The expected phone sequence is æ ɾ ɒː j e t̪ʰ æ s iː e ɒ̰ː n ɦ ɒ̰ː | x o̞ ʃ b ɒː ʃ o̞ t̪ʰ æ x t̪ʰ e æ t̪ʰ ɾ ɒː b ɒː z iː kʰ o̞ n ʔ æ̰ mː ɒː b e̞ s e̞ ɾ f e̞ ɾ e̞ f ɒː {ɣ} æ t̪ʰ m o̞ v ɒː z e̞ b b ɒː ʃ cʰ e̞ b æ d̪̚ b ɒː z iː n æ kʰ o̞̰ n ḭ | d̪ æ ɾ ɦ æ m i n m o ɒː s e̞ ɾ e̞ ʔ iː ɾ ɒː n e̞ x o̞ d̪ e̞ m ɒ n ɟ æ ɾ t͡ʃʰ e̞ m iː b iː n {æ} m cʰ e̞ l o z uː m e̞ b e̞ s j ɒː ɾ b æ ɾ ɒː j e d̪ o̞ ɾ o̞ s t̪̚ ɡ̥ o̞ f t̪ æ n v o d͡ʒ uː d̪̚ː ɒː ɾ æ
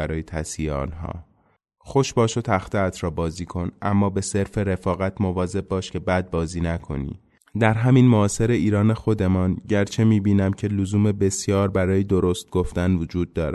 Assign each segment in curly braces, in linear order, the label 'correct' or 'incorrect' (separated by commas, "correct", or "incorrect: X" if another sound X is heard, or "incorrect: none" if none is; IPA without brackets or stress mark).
correct, correct